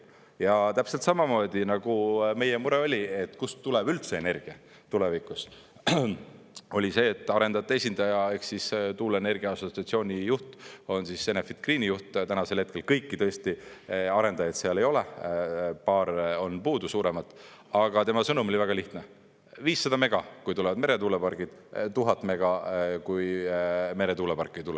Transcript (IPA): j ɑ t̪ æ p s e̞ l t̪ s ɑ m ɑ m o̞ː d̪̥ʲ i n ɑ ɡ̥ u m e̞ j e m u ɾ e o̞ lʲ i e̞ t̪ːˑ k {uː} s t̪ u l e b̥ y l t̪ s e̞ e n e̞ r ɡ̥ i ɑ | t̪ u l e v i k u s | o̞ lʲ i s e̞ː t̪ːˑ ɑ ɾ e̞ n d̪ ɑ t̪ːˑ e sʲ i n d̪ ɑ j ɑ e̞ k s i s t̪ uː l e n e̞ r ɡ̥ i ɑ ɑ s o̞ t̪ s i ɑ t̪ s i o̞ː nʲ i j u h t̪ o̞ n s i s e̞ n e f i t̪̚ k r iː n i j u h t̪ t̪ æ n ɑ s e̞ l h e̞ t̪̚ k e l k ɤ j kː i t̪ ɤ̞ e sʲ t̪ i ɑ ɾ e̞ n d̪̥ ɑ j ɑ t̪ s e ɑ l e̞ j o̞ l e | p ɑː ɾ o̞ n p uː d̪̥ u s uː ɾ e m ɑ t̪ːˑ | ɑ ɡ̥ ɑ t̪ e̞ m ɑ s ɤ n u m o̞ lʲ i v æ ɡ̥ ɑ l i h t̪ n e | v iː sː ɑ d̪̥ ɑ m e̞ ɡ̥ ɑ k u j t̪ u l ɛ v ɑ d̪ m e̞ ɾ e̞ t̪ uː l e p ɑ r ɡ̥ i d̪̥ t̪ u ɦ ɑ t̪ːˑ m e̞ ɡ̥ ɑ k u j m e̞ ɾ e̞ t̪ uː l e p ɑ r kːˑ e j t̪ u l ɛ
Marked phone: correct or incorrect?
incorrect